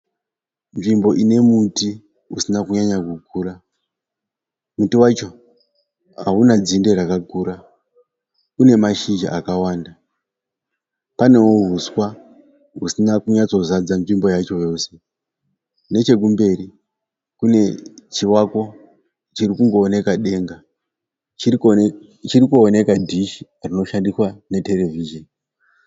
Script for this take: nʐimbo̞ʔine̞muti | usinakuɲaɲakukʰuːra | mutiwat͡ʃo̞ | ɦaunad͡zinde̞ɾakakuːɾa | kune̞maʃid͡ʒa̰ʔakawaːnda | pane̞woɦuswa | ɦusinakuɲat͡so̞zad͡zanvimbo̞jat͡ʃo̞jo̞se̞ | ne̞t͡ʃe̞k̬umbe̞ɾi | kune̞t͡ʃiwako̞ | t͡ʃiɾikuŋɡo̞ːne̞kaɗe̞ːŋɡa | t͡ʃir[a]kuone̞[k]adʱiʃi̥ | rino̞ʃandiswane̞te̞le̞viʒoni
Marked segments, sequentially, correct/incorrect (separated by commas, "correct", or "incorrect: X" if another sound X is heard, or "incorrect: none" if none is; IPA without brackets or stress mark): incorrect: i, correct